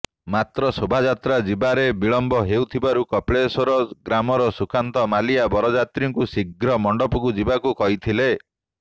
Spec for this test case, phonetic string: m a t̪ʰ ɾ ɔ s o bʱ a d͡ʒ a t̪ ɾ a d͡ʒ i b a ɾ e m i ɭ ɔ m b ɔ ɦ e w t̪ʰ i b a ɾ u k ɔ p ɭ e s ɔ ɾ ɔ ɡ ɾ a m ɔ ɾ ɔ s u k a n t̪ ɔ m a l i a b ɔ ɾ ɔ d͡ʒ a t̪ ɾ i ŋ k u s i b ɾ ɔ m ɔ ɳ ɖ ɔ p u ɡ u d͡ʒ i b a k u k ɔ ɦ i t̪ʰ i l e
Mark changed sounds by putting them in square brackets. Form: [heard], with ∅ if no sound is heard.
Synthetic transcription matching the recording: m a [t̪] ɾ ɔ s o bʱ a d͡ʒ a t̪ ɾ a d͡ʒ i b a ɾ e [b] i ɭ ɔ m b ɔ ɦ e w t̪ʰ i b a ɾ u k ɔ p ɭ e s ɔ ɾ ɔ ɡ ɾ a m ɔ ɾ ɔ s u k a n t̪ ɔ m a l i a b ɔ ɾ ɔ d͡ʒ a t̪ ɾ i ŋ k u s i [ɡ] ɾ ɔ m ɔ ɳ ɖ ɔ p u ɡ u d͡ʒ i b a k u k ɔ ɦ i t̪ʰ i l e